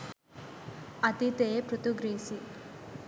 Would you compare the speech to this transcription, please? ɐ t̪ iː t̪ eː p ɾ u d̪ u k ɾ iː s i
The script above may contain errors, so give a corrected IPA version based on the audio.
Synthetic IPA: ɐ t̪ i t̪ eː p ɾ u t̪ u ɡ ɾ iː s i